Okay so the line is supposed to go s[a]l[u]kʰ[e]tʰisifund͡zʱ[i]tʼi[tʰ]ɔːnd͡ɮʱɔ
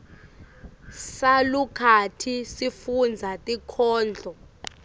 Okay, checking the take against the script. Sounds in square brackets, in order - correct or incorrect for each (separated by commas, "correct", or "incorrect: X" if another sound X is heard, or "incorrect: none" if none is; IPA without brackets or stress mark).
correct, correct, incorrect: a, incorrect: a, incorrect: kʰ